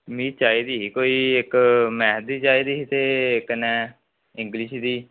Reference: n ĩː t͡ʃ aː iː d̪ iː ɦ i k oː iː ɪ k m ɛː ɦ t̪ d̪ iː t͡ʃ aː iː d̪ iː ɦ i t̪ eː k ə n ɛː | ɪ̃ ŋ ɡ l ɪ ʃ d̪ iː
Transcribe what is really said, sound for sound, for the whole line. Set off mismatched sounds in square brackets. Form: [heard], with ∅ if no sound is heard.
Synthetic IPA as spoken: [m] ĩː t͡ʃ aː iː d̪ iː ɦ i k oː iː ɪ k m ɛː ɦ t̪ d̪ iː t͡ʃ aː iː d̪ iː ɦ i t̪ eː k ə n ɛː | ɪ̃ ŋ ɡ l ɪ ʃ d̪ iː